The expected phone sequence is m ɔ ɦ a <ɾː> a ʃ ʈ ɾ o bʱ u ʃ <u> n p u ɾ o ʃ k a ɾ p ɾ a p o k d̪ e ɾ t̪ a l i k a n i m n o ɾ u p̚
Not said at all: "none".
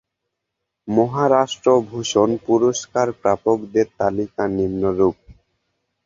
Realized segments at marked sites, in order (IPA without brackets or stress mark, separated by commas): ɾ, o